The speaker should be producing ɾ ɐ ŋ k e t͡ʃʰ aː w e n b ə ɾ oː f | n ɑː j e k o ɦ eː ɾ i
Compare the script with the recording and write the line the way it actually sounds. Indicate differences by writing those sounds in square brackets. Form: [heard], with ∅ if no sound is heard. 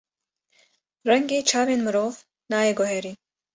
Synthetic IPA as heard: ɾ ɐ ŋ [ɡ] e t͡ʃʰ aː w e n [m] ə ɾ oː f | n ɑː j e [ɡ] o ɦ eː ɾ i